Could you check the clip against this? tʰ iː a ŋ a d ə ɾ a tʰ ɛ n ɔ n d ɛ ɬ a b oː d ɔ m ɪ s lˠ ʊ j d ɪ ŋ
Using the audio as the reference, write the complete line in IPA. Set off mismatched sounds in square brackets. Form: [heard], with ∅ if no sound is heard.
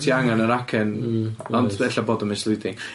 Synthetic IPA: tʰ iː a ŋ a [n] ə ɾ a [kʰ] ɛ n ɔ n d ɛ ɬ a b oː d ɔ m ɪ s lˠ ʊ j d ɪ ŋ